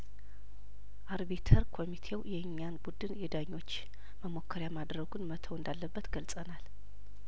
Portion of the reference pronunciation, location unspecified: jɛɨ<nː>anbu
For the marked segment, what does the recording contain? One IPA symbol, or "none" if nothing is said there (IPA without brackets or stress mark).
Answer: ɲː